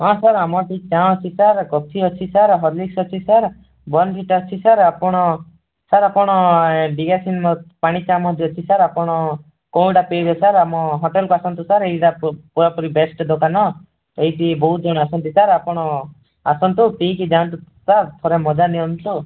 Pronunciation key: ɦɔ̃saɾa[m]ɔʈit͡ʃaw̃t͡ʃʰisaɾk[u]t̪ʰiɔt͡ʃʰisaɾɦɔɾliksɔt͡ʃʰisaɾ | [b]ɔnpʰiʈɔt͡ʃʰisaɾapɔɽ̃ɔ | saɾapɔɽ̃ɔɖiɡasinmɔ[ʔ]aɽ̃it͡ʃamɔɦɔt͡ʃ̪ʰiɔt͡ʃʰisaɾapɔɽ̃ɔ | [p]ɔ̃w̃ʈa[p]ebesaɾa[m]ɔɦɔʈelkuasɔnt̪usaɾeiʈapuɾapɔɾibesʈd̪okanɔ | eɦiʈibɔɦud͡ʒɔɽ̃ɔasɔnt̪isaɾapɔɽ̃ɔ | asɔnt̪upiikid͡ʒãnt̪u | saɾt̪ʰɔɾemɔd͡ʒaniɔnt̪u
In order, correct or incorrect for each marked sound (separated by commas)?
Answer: correct, incorrect, correct, incorrect, incorrect, correct, correct